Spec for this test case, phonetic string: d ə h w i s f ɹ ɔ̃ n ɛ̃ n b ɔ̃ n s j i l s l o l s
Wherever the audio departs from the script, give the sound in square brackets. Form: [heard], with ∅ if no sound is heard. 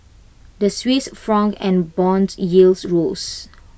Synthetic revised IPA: d ə [s] w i s f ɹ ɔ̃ [ŋ] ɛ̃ n b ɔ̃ n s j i l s [ɹ] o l s